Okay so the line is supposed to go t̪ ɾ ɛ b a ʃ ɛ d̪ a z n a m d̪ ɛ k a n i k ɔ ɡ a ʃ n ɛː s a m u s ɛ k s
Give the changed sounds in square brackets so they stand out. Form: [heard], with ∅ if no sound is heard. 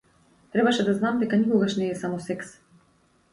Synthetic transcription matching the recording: t̪ ɾ ɛ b a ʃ ɛ d̪ a z n a m d̪ ɛ k a n i k ɔ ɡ a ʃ n ɛː s a m [ɔ] s ɛ k s